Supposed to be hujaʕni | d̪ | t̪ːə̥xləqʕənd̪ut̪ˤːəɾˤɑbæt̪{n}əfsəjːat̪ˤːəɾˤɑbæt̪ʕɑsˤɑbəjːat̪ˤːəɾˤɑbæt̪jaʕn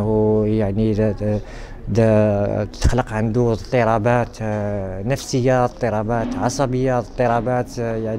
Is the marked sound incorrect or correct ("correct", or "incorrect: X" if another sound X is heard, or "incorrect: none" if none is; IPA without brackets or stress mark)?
correct